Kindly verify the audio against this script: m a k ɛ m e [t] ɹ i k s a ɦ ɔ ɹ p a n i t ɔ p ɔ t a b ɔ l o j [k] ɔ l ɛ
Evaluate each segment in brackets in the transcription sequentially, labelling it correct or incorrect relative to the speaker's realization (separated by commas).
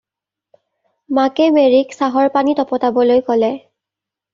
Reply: incorrect, correct